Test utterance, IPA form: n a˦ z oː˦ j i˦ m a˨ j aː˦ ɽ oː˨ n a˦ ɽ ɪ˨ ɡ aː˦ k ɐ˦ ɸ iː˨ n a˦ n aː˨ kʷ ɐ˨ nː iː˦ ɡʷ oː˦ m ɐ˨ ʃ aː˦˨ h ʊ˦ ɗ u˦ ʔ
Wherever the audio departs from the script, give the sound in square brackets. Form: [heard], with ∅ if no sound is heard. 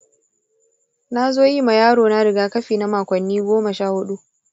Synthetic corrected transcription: n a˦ z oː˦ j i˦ m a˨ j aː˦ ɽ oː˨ n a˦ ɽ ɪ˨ ɡ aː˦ k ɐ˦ ɸ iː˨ n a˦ [m] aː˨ kʷ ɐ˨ nː iː˦ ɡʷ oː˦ m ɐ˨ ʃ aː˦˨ h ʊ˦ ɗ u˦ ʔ